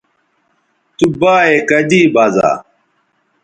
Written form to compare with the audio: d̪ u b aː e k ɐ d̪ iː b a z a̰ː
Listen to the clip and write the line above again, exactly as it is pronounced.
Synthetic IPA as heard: t̪ u b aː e k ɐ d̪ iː b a z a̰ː

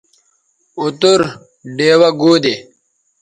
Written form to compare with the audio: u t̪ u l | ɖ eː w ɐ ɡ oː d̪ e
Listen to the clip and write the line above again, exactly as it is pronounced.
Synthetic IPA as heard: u t̪ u ɾ | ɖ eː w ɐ ɡ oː d̪ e

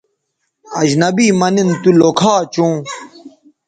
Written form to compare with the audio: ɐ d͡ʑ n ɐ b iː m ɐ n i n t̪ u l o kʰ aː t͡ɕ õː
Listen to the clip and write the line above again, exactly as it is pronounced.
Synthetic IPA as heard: ɐ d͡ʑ n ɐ b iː m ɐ n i n t̪ u l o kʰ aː t͡ɕ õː

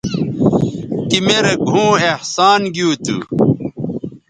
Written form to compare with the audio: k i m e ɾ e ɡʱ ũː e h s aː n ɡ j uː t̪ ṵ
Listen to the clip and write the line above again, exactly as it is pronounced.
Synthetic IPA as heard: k i m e ɾ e ɡʱ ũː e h s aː n ɡ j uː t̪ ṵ

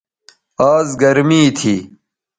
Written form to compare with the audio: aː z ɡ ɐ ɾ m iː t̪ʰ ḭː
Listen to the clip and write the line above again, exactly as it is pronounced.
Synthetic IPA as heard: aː z ɡ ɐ ɾ m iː t̪ʰ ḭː

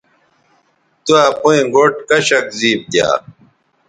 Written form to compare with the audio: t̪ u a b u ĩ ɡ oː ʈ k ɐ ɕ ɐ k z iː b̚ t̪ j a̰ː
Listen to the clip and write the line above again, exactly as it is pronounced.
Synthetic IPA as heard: t̪ u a p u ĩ ɡ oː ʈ k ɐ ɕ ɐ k z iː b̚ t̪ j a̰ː

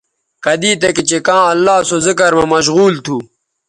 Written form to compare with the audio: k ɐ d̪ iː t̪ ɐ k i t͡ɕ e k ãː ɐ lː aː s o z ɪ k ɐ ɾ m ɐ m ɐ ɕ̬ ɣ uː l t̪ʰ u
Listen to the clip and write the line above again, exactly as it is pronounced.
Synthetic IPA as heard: k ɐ d̪ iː t̪ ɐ k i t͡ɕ e k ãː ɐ lː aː s o z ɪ k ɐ ɾ m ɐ m ɐ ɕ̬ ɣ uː l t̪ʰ u

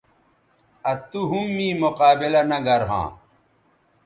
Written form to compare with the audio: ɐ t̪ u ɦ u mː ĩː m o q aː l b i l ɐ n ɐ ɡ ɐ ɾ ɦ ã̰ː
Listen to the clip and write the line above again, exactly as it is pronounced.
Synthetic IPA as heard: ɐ t̪ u ɦ u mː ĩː m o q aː b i l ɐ n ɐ ɡ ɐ ɾ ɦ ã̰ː

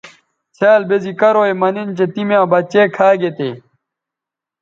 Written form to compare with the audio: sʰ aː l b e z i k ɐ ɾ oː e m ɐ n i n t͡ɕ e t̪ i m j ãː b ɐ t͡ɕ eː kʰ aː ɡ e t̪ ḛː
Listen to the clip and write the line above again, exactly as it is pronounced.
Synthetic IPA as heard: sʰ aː l b e z i k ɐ ɾ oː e m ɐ n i n t͡ɕ e t̪ i m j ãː b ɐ t͡ɕ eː kʰ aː ɡ e t̪ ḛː

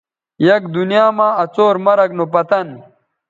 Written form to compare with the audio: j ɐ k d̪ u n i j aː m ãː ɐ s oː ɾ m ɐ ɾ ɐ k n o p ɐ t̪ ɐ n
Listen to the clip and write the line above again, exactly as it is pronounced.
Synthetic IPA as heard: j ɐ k d̪ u n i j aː m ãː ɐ t͡s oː ɾ m ɐ ɾ ɐ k n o p ɐ t̪ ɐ n

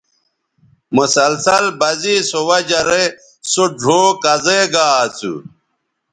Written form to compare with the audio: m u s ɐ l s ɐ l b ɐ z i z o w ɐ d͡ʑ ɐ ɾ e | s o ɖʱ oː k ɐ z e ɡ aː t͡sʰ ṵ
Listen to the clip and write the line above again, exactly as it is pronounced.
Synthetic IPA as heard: m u s ɐ l s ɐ l b ɐ z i s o w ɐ d͡ʑ ɐ ɾ e | s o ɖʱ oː k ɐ z e ɡ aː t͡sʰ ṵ

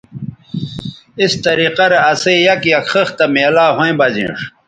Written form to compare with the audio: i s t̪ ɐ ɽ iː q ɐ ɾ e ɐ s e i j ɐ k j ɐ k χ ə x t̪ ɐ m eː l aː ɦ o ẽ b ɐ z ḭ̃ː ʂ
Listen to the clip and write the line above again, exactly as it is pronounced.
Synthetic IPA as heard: i s t̪ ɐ ɾ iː q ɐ ɾ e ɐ s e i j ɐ k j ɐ k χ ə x t̪ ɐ m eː l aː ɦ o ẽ b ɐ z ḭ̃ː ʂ

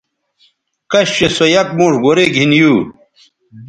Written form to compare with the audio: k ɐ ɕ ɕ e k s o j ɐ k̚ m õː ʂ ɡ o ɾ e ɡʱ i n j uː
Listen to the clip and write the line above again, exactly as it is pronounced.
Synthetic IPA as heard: k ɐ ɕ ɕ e s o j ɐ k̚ m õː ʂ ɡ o ɾ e ɡʱ i n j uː

